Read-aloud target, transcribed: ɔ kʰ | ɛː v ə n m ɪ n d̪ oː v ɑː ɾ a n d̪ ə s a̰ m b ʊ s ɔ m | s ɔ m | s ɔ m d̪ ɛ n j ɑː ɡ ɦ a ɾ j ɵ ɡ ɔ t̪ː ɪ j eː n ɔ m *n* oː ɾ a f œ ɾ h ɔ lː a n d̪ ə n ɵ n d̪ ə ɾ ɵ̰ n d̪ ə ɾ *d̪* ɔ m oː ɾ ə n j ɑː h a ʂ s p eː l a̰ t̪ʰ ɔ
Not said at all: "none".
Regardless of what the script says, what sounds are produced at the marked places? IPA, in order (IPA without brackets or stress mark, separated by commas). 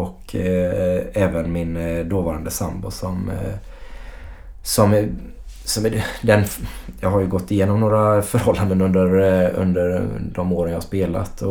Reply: n, d̪